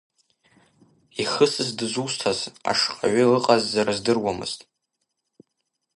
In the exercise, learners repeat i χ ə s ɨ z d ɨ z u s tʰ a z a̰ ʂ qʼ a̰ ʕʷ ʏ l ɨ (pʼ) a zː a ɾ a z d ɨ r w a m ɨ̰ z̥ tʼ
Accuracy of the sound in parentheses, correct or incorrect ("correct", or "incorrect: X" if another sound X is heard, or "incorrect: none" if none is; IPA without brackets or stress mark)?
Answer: incorrect: qʼ